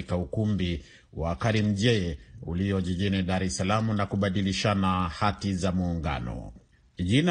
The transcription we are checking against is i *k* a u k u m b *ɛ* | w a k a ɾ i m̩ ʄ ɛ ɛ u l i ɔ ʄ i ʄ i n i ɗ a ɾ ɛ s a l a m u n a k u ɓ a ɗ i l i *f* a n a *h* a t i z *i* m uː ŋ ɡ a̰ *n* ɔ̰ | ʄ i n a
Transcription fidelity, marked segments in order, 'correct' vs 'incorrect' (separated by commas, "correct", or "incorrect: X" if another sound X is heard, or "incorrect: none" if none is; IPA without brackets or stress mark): correct, incorrect: i, incorrect: ʃ, correct, incorrect: a, correct